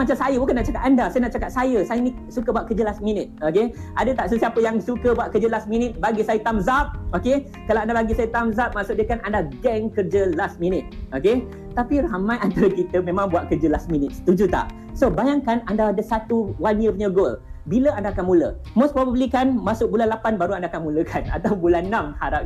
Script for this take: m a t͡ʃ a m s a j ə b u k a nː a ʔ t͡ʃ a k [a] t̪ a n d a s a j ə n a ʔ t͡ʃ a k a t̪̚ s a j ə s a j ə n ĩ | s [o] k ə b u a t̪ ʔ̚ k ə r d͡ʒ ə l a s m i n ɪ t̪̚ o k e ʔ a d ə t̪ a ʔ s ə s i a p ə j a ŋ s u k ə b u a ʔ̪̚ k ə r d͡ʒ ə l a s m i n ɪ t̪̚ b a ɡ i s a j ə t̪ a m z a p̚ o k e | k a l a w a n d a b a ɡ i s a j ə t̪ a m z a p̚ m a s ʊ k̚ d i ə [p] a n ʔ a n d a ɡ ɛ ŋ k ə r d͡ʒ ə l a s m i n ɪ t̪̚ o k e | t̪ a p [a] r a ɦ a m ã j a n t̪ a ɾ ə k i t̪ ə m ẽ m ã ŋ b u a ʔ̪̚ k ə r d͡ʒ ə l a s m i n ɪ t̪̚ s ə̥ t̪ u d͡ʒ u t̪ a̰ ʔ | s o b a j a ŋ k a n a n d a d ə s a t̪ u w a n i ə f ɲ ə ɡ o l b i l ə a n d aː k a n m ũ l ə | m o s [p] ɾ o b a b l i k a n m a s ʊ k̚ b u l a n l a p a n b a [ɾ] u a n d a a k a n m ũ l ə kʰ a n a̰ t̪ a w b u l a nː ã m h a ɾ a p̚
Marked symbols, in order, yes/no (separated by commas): yes, no, no, no, yes, yes